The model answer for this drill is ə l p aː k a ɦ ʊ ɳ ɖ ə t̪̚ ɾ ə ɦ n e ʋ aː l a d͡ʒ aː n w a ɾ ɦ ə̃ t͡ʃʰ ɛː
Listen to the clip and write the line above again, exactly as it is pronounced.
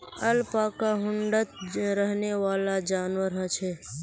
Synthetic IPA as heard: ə l p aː k a ɦ ʊ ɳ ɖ ə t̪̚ ɾ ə ɦ n e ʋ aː l a d͡ʒ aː n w ə ɾ ɦ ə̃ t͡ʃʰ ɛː

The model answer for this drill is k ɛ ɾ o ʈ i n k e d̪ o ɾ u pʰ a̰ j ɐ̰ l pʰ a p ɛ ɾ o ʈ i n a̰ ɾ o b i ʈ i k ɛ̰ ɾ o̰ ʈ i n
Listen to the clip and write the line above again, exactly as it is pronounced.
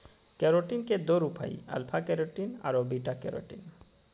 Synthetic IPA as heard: k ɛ ɾ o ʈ i n k e d̪ o ɾ u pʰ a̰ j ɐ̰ l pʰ a k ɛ ɾ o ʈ i n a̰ ɾ o b i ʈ a k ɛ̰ ɾ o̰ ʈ i n

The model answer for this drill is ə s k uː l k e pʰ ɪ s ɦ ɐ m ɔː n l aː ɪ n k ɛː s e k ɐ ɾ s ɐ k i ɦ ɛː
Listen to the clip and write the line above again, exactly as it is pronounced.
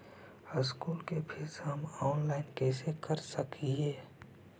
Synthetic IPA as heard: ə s k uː l k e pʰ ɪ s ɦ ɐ m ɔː n l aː ɪ n k ɛː s e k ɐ ɾ s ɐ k i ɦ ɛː

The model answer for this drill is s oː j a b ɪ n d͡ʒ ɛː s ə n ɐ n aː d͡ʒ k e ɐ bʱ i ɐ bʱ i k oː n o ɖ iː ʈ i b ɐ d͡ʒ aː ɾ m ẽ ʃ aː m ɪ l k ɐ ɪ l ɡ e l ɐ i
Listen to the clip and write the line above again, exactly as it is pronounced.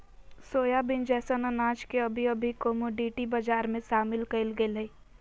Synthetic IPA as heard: s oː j a b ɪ n d͡ʒ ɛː s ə n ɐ n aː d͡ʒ k e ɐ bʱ i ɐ bʱ i k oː m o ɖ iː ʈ i b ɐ d͡ʒ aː ɾ m ẽ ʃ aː m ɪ l k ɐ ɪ l ɡ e l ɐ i

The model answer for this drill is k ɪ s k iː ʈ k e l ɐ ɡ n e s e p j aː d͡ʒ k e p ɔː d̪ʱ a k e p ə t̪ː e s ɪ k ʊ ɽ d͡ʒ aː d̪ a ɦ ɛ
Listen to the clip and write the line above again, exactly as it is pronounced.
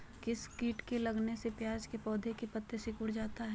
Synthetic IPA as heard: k ɪ s k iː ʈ k e l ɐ ɡ n e s e p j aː d͡ʒ k e p ɔː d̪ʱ e k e p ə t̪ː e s ɪ k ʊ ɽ d͡ʒ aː t̪ a ɦ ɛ

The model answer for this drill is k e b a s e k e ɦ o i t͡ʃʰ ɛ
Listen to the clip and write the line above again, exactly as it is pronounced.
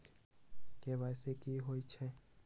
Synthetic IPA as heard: k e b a s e k i ɦ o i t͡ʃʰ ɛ

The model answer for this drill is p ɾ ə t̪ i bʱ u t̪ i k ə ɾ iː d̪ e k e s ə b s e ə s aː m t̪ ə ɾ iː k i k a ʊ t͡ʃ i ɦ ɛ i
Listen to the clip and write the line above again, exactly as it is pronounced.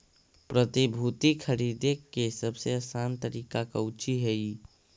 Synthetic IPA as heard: p ɾ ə t̪ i bʱ u t̪ i kʰ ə ɾ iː d̪ e k e s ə b s e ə s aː n t̪ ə ɾ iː k a k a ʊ t͡ʃ i ɦ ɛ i

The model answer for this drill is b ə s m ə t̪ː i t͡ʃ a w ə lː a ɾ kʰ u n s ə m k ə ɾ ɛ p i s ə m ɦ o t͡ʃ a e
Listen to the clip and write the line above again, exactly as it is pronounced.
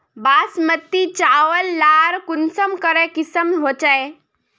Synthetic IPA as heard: b a s m ə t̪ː i t͡ʃ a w ə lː a ɾ k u n s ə m k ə ɾ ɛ k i s ə m ɦ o t͡ʃ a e

